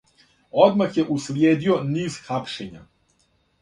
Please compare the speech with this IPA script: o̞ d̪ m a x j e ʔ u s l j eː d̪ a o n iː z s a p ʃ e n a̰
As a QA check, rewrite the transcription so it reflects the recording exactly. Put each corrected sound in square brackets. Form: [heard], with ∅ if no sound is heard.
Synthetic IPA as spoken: o̞ d̪ m a x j e ʔ u s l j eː d̪ [i] o n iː z [x] a p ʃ e [ɲ] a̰